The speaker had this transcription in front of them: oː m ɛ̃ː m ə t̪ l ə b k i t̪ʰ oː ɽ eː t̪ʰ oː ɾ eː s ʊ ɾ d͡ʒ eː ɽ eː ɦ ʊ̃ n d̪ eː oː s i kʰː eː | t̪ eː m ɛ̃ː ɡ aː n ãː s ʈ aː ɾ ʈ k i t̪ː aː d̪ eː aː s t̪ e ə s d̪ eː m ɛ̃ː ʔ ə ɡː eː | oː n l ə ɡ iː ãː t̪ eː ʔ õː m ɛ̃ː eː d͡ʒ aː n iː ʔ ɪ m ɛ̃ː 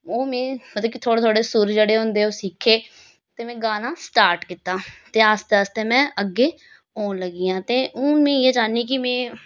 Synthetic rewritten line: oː m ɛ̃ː m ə t̪ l ə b k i t̪ʰ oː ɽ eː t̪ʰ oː ɽ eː s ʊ ɾ d͡ʒ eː ɽ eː ɦ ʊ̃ n d̪ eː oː s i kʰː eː | t̪ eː m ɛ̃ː ɡ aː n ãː s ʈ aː ɾ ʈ k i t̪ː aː t̪ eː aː s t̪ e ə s t̪ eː m ɛ̃ː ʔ ə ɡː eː | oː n l ə ɡ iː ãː t̪ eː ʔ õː m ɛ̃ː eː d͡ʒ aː n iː k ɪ m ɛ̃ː

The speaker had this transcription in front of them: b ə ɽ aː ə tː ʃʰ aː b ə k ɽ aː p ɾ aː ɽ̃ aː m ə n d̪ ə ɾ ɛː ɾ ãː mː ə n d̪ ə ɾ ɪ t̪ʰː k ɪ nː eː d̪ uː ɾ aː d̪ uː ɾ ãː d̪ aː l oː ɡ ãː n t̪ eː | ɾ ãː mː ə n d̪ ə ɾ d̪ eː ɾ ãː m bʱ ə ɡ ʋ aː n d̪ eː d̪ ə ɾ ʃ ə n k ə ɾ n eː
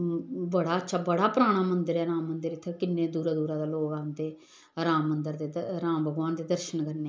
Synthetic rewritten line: b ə ɽ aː ə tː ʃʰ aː b ə ɽ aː p ɾ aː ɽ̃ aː m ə n d̪ ə ɾ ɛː ɾ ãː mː ə n d̪ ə ɾ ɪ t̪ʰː k ɪ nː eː d̪ uː ɾ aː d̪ uː ɾ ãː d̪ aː l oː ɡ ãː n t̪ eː | ɾ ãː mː ə n d̪ ə ɾ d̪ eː ɾ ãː m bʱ ə ɡ ʋ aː n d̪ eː d̪ ə ɾ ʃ ə n k ə ɾ n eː

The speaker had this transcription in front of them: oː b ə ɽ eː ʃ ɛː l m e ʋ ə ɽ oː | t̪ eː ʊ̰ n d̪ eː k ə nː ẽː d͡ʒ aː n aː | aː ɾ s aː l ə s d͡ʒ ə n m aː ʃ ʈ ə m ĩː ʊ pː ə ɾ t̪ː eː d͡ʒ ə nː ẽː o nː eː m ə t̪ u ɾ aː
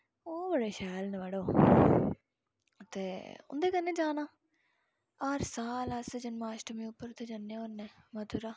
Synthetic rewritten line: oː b ə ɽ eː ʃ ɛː l n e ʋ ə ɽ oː | t̪ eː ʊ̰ n d̪ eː k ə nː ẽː d͡ʒ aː n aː | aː ɾ s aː l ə s d͡ʒ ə n m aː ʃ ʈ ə m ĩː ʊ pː ə ɾ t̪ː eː d͡ʒ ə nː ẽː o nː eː m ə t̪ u ɾ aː

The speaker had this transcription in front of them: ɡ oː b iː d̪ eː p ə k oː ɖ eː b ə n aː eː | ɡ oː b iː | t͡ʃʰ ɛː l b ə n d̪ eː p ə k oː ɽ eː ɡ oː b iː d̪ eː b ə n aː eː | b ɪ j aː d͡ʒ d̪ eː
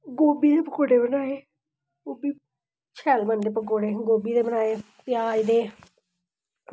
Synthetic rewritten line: ɡ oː b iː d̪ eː p ə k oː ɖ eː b ə n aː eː | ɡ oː b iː | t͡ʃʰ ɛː l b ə n d̪ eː p ə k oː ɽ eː ɡ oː b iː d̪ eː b ə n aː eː | p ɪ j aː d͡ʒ d̪ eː

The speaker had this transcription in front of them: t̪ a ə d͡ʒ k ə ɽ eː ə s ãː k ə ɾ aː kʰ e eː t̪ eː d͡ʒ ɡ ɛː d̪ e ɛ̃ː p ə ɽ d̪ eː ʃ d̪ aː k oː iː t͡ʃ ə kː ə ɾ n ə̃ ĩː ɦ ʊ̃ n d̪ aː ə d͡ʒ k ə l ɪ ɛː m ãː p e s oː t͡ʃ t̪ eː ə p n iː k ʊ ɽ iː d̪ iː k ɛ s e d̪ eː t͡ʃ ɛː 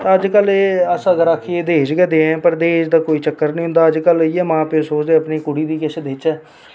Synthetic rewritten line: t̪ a ə d͡ʒ k ə l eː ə s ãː ɡ ə ɾ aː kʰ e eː d̪ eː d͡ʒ ɡ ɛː d̪ e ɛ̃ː p ə ɾ d̪ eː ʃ d̪ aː k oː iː t͡ʃ ə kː ə ɾ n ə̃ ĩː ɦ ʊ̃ n d̪ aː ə d͡ʒ k ə l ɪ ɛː m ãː p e s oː t͡ʃ d̪ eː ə p n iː k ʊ ɽ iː d̪ iː k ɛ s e d̪ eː t͡ʃ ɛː

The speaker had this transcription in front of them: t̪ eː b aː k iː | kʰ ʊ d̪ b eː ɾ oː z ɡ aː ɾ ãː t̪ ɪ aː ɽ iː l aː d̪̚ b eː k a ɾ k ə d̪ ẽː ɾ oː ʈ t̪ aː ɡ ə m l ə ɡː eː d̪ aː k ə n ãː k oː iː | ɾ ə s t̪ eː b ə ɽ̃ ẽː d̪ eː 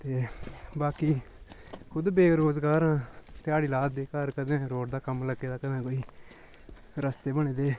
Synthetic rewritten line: t̪ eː b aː k iː | kʰ ʊ d̪ b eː ɾ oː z ɡ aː ɾ ãː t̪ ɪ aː ɽ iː l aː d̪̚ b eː k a ɾ k ə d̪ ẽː ɾ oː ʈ d̪ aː k ə m l ə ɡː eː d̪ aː k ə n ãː k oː iː | ɾ ə s t̪ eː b ə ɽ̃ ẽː d̪ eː

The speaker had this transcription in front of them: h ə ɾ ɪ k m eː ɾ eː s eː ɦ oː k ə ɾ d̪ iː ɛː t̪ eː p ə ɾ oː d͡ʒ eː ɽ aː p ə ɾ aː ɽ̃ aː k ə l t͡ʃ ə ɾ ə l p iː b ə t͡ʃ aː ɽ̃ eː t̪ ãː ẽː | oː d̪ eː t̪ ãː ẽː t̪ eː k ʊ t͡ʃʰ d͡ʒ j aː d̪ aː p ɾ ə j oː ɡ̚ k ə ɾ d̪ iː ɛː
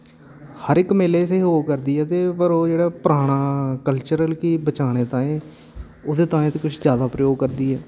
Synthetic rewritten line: h ə ɾ ɪ k m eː l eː s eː ɦ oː k ə ɾ d̪ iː ɛː t̪ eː p ə ɾ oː d͡ʒ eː ɽ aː p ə ɾ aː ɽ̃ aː k ə l t͡ʃ ə ɾ ə l k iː b ə t͡ʃ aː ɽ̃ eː t̪ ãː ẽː | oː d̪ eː t̪ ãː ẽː t̪ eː k ʊ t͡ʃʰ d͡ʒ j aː d̪ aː p ɾ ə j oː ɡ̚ k ə ɾ d̪ iː ɛː

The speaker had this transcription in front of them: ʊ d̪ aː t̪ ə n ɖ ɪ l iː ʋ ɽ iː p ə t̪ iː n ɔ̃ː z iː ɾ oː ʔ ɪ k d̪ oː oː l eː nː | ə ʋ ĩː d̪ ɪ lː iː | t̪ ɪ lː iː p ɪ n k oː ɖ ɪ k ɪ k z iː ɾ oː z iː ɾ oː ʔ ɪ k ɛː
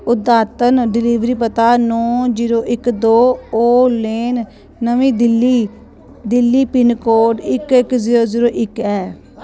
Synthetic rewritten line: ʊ d̪ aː t̪ ə n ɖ ɪ l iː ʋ ɾ iː p ə t̪ aː n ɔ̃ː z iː ɾ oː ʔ ɪ k d̪ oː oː l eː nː | ə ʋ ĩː d̪ ɪ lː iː | d̪ ɪ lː iː p ɪ n k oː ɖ ɪ k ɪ k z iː ɾ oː z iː ɾ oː ʔ ɪ k ɛː

